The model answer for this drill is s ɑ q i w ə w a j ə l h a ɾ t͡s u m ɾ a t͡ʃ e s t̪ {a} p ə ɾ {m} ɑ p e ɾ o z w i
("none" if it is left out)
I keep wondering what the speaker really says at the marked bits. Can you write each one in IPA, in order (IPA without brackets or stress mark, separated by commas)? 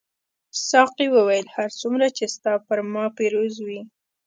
ɑ, m